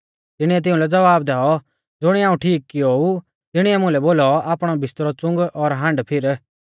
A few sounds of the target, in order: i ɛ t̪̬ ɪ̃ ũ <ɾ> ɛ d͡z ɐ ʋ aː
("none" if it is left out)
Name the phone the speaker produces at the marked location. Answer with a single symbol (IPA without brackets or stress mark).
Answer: l